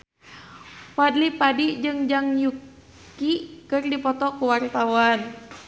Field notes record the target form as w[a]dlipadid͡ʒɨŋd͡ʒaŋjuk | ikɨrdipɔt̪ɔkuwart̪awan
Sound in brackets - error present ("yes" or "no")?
no